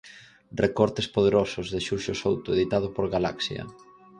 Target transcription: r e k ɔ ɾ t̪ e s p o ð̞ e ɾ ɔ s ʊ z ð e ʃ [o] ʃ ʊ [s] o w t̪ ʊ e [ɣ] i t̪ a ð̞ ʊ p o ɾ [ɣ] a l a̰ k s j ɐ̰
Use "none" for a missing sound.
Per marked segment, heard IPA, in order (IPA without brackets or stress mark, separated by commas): u, s, ð, ɣ